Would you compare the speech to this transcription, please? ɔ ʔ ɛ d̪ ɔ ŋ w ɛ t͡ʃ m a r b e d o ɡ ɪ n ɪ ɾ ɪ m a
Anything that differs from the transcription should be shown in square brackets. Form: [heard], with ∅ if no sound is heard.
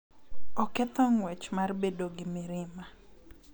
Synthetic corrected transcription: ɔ [k] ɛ [t̪] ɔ ŋ w ɛ t͡ʃ m a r b e d o ɡ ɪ [m] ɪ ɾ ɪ m a